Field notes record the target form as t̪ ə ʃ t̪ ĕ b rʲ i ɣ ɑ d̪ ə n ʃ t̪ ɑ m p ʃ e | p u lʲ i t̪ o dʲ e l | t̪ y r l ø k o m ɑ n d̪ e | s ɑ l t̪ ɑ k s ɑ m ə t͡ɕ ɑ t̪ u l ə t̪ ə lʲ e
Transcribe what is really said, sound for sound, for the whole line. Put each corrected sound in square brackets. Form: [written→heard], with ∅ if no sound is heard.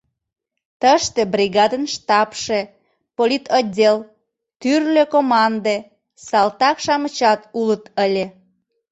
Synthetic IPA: t̪ ə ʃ t̪ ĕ b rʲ i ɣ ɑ d̪ ə n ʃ t̪ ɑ [m→∅] p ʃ e | p [u→o] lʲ i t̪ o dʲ e l | t̪ y r l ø k o m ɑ n d̪ e | s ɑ l t̪ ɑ k [s→ʃ] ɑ m ə t͡ɕ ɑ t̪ u l ə t̪ ə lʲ e